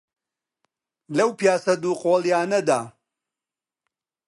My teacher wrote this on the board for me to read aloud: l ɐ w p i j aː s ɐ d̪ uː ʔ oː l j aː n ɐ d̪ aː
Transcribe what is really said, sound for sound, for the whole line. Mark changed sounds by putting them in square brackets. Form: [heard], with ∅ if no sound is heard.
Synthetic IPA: l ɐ w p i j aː s ɐ d̪ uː [q] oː l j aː n ɐ d̪ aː